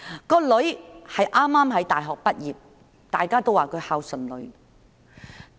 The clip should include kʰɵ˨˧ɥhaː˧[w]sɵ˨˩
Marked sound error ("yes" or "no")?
no